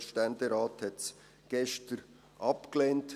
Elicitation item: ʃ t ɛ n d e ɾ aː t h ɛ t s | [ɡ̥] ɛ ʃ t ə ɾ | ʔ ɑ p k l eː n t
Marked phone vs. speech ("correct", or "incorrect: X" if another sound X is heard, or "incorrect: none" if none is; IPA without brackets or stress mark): correct